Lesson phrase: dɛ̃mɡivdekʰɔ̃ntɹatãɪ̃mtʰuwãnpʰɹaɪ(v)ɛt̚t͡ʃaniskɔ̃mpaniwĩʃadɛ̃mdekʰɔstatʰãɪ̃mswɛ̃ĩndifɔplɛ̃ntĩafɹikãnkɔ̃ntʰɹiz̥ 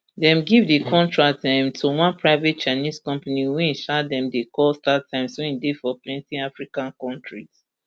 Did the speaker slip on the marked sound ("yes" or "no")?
no